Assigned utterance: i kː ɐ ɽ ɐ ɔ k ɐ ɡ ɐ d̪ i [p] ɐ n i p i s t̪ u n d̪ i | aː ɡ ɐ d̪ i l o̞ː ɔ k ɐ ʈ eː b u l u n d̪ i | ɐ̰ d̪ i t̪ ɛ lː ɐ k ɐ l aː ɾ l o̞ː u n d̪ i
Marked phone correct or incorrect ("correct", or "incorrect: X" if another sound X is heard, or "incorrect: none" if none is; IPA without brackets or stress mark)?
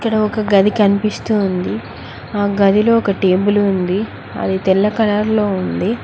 incorrect: k